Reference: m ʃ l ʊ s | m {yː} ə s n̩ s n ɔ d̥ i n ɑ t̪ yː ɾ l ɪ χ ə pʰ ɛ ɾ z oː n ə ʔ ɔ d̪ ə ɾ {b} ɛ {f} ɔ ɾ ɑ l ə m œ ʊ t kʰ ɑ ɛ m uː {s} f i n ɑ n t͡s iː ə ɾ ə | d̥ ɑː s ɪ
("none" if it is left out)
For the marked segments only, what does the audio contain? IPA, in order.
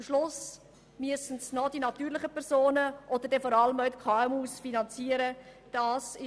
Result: y, d, f, s

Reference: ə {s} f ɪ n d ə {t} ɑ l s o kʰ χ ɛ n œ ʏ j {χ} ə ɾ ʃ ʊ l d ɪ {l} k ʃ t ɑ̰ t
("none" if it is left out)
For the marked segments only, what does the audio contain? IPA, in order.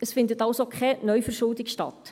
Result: s, t, f, none

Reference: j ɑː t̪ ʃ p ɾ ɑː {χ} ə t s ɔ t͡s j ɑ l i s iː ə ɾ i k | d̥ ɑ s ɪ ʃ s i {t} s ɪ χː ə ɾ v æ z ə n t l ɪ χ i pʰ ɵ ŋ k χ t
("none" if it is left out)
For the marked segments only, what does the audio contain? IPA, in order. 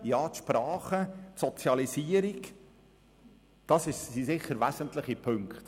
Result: χ, none

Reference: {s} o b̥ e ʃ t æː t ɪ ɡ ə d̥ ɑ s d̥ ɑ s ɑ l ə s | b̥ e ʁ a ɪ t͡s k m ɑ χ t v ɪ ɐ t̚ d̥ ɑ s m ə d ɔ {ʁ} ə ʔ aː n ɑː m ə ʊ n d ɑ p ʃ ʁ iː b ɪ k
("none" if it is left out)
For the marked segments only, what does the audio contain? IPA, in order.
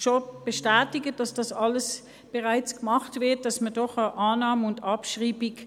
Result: ʃ, χ

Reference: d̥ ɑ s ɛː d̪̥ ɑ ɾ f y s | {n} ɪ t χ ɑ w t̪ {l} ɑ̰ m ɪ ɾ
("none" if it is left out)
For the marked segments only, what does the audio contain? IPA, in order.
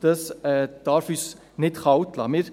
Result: n, l

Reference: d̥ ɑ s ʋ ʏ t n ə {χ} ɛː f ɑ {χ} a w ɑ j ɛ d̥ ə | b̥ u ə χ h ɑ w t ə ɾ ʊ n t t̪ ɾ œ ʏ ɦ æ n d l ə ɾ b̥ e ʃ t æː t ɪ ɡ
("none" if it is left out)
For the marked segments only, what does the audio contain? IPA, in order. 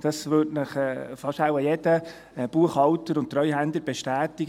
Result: χ, ʃ

